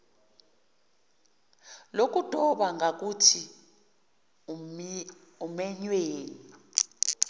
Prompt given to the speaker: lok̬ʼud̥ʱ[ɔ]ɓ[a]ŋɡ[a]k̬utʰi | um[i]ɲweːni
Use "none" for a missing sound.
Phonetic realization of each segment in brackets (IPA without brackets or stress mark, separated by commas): ɔ, a, a, ɛ